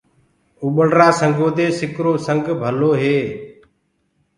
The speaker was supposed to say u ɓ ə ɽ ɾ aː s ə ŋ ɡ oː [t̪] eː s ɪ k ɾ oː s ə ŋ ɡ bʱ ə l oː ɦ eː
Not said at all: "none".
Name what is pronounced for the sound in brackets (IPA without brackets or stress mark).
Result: d̪